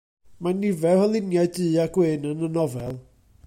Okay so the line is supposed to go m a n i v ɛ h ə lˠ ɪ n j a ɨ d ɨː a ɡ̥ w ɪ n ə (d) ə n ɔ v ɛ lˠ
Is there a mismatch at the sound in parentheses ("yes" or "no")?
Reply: yes